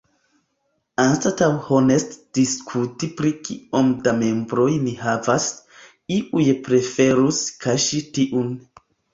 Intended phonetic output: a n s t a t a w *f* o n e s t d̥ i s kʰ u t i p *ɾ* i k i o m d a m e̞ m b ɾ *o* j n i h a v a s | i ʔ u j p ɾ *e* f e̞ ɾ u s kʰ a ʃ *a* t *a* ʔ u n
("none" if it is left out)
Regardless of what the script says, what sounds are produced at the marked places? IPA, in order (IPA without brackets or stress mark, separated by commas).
h, ɾ, o, e, i, i